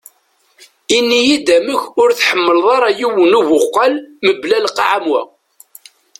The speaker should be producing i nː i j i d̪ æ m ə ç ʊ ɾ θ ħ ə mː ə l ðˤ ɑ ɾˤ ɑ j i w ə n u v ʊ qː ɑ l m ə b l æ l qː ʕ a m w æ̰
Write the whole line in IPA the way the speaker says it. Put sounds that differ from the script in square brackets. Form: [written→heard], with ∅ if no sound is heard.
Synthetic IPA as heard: i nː i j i d̪ æ m ə ç ʊ ɾ θ ħ ə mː ə l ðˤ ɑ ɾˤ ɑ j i w ə n u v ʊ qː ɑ l m ə b l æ l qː ʕ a m w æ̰

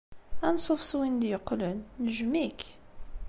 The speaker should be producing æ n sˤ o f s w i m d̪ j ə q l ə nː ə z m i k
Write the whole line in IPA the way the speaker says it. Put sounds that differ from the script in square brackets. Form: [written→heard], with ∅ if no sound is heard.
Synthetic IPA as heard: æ n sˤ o f s w i [m→n] d̪ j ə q l ə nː ə [z→ʒ] m i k

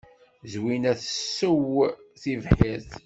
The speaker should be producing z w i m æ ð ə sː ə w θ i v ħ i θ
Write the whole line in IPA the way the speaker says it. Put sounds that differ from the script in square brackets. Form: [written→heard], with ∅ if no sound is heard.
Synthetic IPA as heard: z w i [m→n] æ [ð→θ] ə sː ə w θ i v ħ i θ

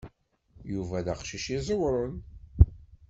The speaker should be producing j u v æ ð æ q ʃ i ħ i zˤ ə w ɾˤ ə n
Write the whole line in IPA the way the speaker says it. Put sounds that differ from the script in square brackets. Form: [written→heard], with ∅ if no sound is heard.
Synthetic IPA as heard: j u v æ ð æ q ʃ i [ħ→ʃ] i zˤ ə w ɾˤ ə n

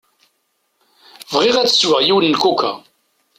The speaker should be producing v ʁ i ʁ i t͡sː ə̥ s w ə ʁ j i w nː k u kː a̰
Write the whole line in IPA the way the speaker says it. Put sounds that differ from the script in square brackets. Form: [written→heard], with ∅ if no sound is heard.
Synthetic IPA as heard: v ʁ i ʁ [i→æ] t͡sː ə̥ s w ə ʁ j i w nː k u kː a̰

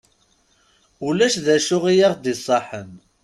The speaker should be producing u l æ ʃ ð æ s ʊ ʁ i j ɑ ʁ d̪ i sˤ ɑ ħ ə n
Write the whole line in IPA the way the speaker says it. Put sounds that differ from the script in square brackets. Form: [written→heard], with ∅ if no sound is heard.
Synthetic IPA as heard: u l æ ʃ ð æ [s→ʃ] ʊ ʁ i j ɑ ʁ d̪ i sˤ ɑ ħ ə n

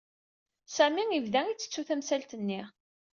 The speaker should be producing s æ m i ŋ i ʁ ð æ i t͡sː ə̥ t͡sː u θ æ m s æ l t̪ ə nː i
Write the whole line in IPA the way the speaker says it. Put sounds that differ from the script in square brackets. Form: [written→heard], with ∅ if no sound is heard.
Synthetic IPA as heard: s æ m i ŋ i [ʁ→v] ð æ i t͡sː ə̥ t͡sː u θ æ m s æ l t̪ ə nː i

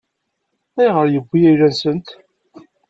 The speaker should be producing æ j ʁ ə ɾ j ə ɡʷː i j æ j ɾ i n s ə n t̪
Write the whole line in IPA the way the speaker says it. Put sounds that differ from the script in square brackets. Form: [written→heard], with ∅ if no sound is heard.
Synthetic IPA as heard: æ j ʁ ə ɾ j ə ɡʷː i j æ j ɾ [i→æ] n s ə n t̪

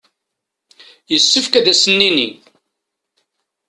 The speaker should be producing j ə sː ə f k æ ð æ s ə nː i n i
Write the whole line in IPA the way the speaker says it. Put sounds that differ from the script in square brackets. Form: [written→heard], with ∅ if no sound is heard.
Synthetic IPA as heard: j ə sː ə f k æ ð æ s ə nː i n i

